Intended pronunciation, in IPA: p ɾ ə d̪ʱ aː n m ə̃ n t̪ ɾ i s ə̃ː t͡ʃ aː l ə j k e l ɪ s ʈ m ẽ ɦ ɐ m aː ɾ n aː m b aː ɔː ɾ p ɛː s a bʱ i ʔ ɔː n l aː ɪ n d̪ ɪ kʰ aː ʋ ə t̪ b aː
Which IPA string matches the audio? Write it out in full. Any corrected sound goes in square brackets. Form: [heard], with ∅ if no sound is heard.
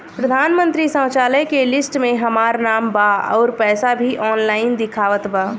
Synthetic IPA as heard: p ɾ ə d̪ʱ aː n m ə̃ n t̪ ɾ i s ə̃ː t͡ʃ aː l ə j k e l ɪ s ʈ m ẽ ɦ ɐ m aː ɾ n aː m b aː ɔː ɾ p ɛː s a bʱ i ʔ ɔː n l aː ɪ n d̪ ɪ kʰ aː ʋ ə t̪ b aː